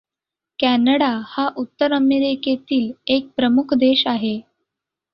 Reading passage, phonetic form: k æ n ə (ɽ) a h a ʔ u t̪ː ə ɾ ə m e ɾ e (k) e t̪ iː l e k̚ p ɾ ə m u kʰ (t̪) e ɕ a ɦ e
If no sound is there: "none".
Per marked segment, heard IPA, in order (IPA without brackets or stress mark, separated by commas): ɽ, k, d̪